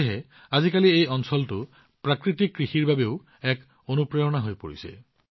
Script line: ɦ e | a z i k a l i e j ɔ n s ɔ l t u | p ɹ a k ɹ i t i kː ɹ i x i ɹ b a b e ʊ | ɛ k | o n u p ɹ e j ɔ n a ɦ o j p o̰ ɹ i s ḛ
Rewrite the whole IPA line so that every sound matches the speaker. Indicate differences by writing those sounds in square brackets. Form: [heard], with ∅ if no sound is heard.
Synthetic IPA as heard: ɦ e | a z i k a l i e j ɔ n s ɔ l t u | p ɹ a k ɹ i t i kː ɹ i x i ɹ b a b e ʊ | ɛ k | o n u p ɹ e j ɔ n a ɦ o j p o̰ ɹ i s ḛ